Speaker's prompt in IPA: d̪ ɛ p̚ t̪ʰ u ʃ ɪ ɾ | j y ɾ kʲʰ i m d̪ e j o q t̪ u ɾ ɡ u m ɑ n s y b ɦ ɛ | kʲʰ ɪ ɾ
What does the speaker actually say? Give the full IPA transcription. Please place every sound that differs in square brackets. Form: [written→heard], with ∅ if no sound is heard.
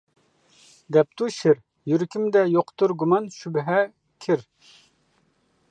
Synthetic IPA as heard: d̪ ɛ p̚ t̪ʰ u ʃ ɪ ɾ | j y ɾ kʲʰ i m d̪ [e→ɛ] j o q t̪ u ɾ ɡ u m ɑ n [s→ʃ] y b ɦ ɛ | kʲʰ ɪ ɾ

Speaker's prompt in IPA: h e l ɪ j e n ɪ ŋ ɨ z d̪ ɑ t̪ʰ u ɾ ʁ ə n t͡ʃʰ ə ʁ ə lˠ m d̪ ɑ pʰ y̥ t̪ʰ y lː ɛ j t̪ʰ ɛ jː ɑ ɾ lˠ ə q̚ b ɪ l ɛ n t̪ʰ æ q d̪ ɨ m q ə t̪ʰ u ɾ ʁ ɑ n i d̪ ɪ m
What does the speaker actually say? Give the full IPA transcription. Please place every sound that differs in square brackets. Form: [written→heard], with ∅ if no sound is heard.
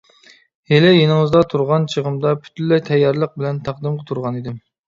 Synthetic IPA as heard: h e l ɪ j e n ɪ ŋ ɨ z d̪ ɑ t̪ʰ u ɾ ʁ [ə→ɑ] n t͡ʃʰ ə ʁ ə [lˠ→∅] m d̪ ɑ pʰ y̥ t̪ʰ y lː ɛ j t̪ʰ ɛ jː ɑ ɾ lˠ ə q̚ b ɪ l ɛ n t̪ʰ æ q d̪ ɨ m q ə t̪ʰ u ɾ ʁ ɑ n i d̪ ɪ m

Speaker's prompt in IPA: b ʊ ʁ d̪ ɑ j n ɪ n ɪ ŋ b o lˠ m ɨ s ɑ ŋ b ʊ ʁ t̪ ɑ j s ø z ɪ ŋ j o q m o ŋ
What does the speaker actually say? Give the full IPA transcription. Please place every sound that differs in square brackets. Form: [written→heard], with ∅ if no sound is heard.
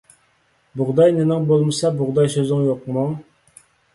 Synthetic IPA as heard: b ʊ ʁ d̪ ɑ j n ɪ n ɪ ŋ b o lˠ m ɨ s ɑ [ŋ→∅] b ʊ ʁ [t̪→d̪] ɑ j s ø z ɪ ŋ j o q m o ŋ

